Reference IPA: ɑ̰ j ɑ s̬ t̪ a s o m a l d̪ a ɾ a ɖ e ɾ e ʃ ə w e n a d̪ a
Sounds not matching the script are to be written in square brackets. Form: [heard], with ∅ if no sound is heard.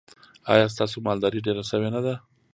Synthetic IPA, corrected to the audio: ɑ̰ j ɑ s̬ t̪ [ɑ] s o m [ɑ] l d̪ [ɑ] ɾ [i] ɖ e ɾ [a] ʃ ə w e n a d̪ a